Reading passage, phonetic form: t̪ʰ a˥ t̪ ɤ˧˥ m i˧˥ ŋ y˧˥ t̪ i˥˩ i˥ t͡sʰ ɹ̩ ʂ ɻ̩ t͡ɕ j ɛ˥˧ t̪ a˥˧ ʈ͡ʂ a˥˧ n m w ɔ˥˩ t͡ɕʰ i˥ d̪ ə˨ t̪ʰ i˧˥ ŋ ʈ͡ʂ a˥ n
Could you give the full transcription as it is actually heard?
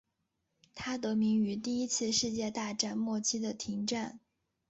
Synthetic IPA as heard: t̪ʰ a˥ t̪ ɤ˧˥ m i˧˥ ŋ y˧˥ t̪ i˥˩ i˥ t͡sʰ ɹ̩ ʂ ɻ̩ t͡ɕ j ɛ˥˧ t̪ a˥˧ ʈ͡ʂ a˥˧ n m w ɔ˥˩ t͡ɕʰ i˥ d̪ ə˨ t̪ʰ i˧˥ ŋ ʈ͡ʂ a˥˩ n